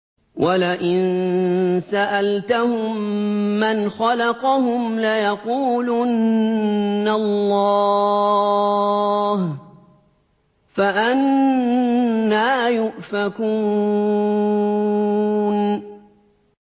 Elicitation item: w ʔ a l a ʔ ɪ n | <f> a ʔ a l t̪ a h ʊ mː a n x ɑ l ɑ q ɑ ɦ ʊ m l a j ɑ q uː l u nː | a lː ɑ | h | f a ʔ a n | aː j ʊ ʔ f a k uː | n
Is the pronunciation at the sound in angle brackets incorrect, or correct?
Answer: incorrect